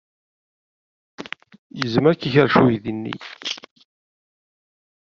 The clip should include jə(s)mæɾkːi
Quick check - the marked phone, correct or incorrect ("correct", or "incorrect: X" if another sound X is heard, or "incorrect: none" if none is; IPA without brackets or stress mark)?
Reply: incorrect: z